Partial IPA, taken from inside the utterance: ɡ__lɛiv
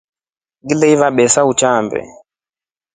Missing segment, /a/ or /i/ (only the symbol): i